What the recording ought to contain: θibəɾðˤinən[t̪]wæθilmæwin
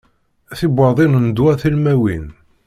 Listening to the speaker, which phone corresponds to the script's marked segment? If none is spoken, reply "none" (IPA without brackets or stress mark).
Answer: d̪